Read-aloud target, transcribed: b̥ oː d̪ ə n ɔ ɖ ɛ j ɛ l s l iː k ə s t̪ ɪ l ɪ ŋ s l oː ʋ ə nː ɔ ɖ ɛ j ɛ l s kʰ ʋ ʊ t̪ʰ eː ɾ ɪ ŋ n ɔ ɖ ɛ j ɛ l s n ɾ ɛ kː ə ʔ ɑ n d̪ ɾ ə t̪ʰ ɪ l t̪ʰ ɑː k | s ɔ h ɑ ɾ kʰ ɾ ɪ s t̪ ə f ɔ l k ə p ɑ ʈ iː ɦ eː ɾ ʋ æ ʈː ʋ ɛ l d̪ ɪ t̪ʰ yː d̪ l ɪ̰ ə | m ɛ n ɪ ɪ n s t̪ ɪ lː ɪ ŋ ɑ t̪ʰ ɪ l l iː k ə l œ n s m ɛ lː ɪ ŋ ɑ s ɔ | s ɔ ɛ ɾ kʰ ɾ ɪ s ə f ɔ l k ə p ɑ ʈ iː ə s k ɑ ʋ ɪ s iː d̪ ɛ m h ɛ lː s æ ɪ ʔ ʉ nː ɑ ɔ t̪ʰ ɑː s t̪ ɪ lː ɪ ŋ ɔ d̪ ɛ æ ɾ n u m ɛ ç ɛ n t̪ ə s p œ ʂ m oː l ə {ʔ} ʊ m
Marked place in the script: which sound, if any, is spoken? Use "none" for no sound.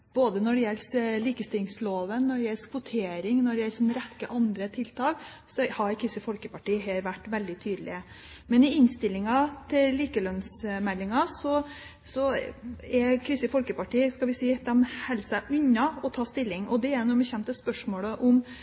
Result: ʔ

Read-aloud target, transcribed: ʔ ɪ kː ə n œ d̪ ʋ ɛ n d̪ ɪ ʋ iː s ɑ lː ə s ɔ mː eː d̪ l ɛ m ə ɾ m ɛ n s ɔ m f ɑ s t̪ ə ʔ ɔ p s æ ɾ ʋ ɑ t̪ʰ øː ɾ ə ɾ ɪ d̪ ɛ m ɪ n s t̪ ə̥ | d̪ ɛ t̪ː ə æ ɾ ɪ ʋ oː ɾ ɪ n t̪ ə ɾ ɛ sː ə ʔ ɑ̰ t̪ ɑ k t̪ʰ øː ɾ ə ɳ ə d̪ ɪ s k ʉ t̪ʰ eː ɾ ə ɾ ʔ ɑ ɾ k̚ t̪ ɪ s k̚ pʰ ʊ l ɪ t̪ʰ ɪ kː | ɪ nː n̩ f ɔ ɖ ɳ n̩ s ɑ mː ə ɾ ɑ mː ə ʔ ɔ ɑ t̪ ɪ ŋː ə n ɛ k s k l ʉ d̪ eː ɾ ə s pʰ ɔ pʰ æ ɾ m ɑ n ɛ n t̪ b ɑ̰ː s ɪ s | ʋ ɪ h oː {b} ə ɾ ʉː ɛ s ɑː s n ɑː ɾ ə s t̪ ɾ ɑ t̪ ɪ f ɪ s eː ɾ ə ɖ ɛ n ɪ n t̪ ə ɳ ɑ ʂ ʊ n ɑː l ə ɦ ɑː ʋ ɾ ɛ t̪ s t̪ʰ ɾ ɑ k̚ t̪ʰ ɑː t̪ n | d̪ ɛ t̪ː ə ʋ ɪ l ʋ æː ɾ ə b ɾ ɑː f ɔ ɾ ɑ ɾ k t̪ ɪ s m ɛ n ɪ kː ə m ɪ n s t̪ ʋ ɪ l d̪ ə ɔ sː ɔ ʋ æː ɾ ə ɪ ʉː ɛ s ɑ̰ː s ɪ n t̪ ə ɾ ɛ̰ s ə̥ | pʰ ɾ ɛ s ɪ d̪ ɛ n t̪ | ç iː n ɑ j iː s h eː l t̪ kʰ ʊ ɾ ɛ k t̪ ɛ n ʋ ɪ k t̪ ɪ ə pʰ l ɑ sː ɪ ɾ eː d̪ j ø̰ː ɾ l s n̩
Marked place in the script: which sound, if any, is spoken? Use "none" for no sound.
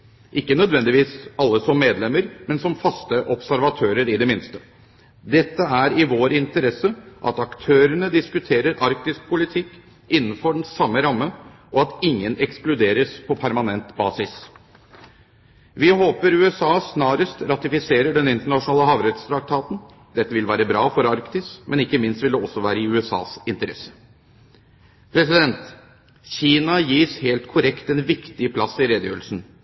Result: p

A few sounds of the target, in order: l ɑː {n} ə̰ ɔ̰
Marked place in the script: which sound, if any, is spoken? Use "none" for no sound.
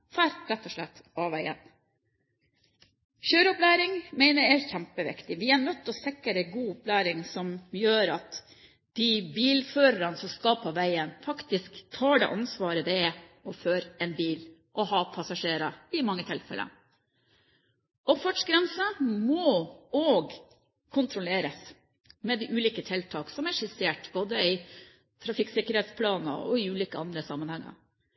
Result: n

